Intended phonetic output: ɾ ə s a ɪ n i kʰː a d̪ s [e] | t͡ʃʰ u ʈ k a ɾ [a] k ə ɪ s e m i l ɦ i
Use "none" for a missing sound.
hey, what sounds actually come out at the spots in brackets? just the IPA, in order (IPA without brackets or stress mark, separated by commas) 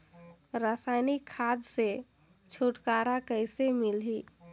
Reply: e, a